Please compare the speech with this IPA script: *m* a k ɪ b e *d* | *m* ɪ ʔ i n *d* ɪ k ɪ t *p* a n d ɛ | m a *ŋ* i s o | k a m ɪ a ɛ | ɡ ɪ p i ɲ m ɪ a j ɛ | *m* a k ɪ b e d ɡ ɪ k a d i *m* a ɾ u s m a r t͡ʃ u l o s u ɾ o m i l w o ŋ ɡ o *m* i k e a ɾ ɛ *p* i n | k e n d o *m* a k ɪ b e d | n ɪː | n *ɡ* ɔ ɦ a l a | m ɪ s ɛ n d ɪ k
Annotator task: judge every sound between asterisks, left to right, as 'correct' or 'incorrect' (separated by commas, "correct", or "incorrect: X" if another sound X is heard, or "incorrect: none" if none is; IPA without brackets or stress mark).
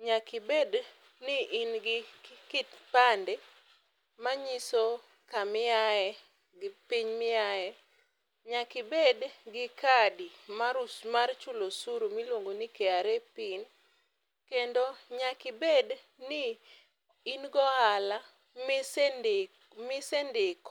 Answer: incorrect: ɲ, correct, incorrect: n, incorrect: ɡ, correct, incorrect: ɲ, incorrect: ɲ, correct, incorrect: n, correct, incorrect: ɲ, correct